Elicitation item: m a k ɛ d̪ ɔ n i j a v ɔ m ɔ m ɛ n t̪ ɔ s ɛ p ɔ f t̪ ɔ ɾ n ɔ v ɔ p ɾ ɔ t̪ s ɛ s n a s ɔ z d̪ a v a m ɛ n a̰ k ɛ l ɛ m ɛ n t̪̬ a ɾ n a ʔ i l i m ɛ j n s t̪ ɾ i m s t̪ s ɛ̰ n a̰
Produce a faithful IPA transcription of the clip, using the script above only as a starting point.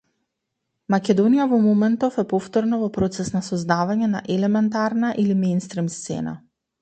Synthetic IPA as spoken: m a k ɛ d̪ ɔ n i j a v ɔ m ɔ m ɛ n t̪ ɔ f ɛ p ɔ f t̪ ɔ ɾ n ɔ v ɔ p ɾ ɔ t̪ s ɛ s n a s ɔ z d̪ a v a ɲ ɛ n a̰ ʔ ɛ l ɛ m ɛ n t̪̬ a ɾ n a ʔ i l i m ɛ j n s t̪ ɾ i m s t̪ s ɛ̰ n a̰